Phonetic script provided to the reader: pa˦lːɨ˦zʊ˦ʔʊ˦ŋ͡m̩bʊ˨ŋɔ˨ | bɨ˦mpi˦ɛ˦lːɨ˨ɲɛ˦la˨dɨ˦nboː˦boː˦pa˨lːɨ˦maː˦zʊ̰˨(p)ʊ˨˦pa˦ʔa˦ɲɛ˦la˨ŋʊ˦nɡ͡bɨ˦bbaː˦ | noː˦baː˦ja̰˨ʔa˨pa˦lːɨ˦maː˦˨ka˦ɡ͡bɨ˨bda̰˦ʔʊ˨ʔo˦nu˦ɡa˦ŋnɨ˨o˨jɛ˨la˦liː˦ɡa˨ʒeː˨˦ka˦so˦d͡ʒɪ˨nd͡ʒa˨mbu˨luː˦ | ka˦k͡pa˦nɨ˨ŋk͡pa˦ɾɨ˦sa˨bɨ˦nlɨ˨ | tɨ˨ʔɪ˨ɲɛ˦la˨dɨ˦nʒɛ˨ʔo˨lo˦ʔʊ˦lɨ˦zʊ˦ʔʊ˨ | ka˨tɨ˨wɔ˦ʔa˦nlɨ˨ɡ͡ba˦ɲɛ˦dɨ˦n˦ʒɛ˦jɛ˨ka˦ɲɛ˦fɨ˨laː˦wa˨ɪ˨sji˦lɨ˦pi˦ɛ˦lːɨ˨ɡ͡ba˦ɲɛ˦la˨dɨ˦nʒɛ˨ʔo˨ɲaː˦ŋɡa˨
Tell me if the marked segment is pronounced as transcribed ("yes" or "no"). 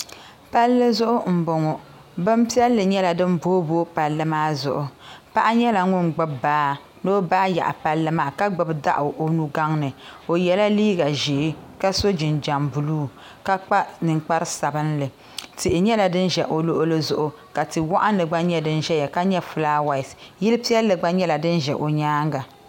no